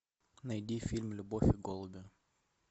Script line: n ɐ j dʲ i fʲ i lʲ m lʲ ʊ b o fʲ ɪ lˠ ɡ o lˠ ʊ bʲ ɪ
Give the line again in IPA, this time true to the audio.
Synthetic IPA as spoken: n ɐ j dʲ i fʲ i lʲ m lʲ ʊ b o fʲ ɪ ɡ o lˠ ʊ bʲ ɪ